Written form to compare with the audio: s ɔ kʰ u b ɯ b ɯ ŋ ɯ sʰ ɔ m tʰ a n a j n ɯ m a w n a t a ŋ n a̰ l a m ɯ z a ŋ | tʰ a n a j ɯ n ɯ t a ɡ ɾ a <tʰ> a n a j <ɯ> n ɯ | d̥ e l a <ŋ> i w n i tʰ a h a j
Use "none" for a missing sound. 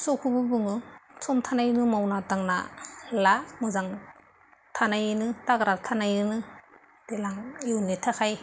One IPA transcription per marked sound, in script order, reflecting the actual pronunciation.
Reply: tʰ, ɯ, ŋ

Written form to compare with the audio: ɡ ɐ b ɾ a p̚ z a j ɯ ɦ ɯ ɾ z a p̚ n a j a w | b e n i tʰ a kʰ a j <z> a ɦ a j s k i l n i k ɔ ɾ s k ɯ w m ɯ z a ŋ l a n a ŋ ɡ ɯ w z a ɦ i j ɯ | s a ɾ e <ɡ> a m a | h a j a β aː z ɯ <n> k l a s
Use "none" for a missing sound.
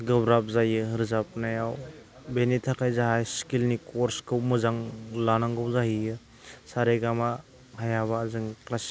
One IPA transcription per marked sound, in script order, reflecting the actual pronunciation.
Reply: z, ɡ, ŋ

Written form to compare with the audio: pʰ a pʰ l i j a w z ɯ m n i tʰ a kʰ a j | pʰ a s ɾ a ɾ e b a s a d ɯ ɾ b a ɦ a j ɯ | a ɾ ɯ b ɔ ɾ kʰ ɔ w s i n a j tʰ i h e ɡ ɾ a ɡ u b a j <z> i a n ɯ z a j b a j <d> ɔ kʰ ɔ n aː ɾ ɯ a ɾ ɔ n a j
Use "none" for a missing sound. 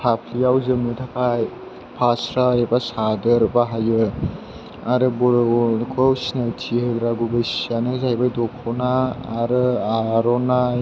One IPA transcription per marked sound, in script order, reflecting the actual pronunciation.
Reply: s, d

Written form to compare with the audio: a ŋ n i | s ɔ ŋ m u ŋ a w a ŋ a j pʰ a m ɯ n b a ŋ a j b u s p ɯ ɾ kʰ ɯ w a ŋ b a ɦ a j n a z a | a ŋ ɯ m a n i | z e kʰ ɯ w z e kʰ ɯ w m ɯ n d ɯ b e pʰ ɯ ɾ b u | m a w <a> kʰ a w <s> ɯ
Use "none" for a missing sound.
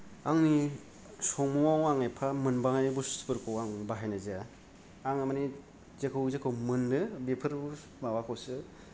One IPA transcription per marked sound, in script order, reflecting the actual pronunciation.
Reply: a, s

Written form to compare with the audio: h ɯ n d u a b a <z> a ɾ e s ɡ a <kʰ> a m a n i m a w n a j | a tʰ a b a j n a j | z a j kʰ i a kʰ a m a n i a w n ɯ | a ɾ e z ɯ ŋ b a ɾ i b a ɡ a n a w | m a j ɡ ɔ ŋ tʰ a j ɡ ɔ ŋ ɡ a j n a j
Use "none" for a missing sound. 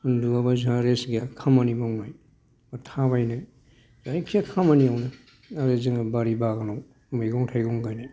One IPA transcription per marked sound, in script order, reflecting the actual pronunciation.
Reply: z, kʰ

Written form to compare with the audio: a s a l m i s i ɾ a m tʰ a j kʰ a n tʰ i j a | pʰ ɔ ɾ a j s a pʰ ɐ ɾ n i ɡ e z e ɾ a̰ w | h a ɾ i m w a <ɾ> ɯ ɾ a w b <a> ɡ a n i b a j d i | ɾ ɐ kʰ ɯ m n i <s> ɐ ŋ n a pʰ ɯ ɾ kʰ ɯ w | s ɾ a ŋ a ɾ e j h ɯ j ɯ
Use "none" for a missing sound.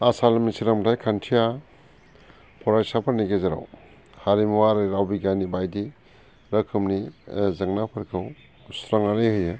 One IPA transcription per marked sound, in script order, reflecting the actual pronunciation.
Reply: ɾ, i, z

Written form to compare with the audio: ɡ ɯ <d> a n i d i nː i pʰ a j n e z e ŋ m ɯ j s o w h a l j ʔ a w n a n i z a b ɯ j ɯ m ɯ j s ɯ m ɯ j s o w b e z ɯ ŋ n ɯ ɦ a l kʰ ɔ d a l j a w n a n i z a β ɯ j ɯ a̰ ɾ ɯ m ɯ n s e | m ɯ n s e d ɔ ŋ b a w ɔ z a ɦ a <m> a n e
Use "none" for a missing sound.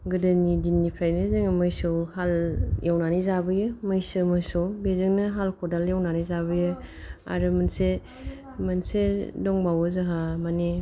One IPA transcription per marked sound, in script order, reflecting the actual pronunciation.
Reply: d, m

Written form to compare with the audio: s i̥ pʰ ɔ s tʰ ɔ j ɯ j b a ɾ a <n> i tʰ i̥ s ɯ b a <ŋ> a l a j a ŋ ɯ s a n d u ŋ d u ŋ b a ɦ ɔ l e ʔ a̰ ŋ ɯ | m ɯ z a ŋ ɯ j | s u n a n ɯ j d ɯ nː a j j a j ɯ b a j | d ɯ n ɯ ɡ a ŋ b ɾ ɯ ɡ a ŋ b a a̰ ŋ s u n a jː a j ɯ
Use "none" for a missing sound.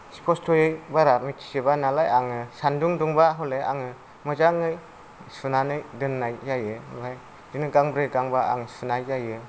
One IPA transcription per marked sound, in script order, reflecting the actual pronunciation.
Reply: m, n

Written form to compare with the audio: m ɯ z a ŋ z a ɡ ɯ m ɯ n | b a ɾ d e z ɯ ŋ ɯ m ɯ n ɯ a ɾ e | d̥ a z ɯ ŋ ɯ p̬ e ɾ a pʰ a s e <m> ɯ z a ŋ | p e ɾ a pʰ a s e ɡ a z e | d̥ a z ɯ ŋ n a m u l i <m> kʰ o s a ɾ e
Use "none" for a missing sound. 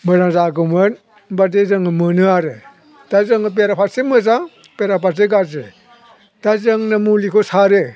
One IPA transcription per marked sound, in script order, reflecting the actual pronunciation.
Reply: m, none

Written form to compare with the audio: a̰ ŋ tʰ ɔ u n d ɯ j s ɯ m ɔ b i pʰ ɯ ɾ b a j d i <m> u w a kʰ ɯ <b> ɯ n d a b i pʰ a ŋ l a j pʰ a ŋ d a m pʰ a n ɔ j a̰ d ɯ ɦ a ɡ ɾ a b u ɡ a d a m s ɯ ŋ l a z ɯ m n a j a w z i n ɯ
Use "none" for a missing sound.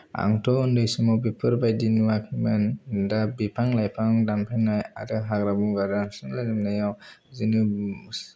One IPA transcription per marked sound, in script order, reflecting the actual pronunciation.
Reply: n, m

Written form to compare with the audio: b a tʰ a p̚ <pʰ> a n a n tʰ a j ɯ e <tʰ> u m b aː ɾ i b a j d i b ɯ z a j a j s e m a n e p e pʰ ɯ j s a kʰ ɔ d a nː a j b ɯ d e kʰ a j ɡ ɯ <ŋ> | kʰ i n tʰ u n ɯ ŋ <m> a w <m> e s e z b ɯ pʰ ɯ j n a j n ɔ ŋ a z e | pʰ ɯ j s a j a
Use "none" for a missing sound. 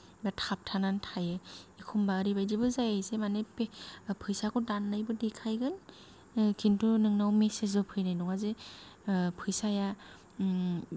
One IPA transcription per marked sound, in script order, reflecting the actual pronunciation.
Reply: tʰ, kʰ, n, n, m

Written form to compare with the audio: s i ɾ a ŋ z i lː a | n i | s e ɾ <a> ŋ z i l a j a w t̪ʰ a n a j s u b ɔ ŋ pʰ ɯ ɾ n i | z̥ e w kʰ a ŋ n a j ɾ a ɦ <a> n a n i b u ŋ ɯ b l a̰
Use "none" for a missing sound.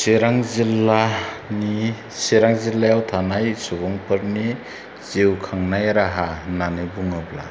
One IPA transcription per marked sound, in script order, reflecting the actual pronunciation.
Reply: a, a

